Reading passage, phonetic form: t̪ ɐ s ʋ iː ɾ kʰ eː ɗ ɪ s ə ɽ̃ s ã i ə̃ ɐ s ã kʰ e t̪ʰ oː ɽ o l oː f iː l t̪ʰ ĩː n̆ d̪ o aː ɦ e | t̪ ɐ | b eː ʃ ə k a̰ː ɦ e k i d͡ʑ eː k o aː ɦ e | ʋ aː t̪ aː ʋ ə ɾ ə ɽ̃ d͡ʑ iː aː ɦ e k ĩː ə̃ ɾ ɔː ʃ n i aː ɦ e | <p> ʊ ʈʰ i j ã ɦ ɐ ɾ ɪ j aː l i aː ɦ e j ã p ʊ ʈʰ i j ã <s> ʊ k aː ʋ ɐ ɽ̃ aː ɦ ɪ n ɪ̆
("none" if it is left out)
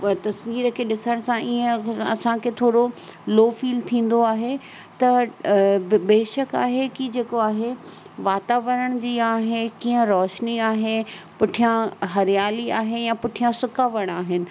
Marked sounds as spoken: p, s

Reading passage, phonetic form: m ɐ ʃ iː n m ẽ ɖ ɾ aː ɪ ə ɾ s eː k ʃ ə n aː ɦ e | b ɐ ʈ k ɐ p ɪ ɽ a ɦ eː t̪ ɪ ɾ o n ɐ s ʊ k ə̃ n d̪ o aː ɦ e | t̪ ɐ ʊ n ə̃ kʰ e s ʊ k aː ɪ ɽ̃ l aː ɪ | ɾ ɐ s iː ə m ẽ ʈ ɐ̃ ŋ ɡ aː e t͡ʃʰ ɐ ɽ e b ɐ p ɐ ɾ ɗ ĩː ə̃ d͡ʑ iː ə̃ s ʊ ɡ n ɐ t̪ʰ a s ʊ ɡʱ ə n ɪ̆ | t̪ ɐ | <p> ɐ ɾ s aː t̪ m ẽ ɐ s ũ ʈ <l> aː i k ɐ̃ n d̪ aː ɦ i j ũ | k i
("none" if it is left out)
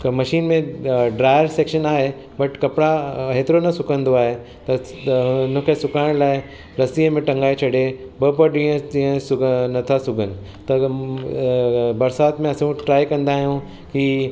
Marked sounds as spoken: b, ɾ

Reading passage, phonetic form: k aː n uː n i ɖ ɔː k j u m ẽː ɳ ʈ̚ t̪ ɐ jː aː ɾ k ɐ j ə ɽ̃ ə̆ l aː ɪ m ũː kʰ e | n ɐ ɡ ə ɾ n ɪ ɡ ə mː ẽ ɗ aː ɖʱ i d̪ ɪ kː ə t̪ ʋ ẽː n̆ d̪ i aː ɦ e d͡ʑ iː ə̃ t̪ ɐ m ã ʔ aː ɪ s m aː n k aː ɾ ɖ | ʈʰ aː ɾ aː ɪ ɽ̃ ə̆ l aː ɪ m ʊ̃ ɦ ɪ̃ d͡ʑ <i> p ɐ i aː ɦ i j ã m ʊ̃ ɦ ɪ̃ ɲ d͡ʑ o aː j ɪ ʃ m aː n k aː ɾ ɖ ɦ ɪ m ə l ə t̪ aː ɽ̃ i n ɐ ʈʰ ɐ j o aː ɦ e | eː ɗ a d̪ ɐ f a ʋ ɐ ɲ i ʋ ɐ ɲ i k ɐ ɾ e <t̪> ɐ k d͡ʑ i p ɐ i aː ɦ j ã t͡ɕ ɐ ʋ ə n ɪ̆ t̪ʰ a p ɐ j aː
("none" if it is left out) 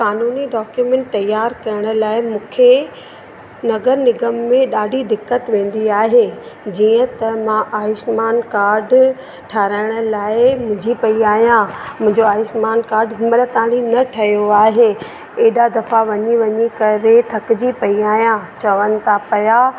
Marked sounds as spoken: i, t̪ʰ

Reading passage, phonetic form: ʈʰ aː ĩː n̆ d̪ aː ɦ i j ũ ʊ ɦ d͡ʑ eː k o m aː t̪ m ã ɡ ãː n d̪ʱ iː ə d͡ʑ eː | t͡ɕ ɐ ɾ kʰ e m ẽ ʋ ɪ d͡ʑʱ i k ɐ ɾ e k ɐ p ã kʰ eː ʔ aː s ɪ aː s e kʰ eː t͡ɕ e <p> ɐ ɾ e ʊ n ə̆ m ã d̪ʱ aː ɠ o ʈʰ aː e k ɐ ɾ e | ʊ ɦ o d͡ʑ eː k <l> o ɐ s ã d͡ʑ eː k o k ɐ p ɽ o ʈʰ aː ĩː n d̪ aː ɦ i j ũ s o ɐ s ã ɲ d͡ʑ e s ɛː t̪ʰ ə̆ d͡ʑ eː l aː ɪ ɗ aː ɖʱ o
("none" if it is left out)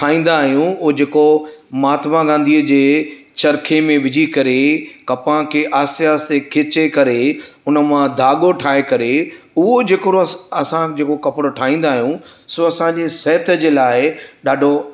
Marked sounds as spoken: k, ɾ

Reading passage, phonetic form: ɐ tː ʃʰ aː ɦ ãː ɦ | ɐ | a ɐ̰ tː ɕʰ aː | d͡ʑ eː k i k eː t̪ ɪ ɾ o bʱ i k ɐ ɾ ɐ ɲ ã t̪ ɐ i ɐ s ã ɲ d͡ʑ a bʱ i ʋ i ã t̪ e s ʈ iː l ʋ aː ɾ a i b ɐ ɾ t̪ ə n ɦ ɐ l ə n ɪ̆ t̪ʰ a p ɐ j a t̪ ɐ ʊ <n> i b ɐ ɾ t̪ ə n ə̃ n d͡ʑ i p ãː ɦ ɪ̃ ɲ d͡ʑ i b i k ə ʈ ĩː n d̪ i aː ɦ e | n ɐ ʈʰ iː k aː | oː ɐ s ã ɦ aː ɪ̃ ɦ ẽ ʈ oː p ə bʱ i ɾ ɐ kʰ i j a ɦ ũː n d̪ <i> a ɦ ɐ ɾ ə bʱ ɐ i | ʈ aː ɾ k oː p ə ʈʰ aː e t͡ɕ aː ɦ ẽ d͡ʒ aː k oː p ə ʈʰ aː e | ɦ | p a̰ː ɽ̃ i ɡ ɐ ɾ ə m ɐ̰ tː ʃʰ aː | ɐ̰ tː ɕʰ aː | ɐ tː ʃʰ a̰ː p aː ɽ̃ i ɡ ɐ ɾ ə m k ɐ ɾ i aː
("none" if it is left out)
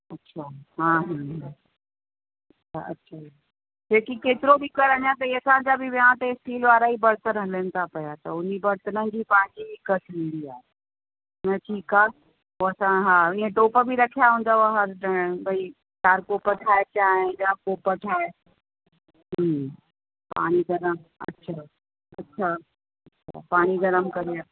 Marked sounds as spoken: n, a

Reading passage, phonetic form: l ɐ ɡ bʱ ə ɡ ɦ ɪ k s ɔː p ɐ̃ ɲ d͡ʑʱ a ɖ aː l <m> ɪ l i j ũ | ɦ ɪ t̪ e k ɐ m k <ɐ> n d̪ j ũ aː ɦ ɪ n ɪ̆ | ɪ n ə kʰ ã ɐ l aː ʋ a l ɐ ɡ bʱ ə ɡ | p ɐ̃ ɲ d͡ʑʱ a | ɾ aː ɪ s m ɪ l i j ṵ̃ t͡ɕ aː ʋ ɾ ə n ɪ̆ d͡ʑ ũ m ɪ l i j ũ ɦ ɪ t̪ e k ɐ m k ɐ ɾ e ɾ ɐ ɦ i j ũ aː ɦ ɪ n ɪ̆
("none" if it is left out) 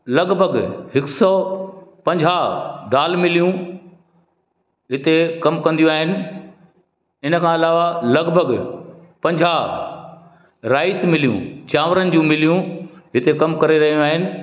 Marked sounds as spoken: m, ɐ̃

